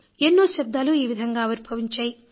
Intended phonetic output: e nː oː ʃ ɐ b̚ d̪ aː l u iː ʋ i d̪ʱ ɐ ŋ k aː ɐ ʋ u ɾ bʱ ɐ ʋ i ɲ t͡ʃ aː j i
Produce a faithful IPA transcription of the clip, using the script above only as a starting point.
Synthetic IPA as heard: e nː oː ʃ ɐ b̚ d̪ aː l u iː ʋ i d̪ʱ ɐ ŋ ɡ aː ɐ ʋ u ɾ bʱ ɐ ʋ i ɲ t͡ʃ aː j i